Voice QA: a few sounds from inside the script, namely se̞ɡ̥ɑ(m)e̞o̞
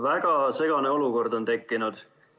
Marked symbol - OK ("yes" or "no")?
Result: no